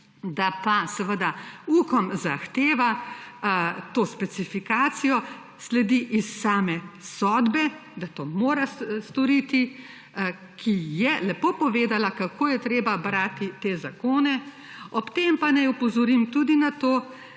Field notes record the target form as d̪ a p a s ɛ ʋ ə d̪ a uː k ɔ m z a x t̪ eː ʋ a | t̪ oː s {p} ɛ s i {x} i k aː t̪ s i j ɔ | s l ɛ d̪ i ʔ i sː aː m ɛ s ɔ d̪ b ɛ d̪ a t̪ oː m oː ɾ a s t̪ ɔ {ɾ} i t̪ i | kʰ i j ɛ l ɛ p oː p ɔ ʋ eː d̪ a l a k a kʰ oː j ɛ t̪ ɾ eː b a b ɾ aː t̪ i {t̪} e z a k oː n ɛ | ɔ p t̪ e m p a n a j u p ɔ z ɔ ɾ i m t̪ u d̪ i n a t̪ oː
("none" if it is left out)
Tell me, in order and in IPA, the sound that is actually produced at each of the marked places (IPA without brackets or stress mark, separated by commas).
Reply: p, f, ɾ, t̪